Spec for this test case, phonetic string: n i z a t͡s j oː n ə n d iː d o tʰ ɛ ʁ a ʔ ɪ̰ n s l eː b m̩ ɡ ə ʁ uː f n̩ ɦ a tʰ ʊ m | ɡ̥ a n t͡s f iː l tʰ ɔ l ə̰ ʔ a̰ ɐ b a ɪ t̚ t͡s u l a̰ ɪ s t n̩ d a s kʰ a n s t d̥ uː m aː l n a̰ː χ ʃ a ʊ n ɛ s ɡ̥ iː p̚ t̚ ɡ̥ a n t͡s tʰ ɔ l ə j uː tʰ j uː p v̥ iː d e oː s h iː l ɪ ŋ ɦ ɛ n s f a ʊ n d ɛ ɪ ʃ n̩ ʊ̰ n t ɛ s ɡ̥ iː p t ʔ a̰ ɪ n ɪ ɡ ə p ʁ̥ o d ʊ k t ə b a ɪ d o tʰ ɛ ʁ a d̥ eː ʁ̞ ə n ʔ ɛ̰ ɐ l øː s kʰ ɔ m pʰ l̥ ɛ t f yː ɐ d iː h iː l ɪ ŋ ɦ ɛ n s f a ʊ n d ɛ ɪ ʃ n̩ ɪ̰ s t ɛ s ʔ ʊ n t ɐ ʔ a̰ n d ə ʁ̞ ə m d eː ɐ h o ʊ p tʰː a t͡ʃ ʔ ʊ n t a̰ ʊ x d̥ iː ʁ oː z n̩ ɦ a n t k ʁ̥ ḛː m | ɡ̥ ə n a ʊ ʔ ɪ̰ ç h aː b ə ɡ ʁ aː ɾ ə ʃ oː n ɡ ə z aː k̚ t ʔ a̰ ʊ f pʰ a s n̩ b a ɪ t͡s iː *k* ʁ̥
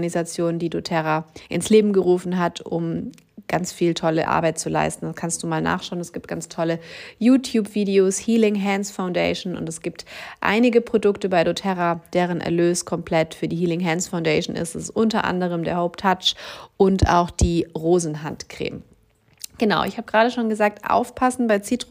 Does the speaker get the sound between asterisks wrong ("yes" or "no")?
yes